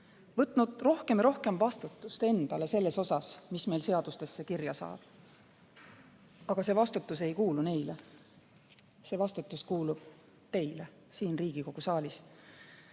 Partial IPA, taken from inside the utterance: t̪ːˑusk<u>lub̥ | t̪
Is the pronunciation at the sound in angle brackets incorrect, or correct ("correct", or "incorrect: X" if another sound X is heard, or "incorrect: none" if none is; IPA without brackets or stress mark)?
incorrect: uː